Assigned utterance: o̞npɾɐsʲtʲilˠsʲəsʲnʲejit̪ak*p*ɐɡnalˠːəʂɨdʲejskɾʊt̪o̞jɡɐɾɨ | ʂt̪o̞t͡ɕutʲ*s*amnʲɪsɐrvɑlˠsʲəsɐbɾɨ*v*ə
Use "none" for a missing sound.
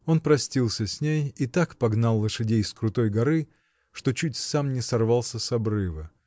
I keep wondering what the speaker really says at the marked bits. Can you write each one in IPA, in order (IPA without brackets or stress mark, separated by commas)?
p, s, v